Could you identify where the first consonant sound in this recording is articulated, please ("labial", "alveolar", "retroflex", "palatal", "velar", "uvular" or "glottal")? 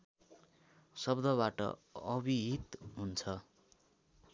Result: alveolar